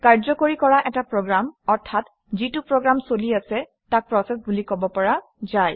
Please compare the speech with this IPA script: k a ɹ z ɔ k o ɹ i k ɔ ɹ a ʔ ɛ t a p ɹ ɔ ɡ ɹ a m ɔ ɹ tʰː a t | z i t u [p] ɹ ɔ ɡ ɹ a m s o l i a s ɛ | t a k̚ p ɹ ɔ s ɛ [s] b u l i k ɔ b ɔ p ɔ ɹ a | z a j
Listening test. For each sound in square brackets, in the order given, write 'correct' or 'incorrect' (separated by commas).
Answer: correct, correct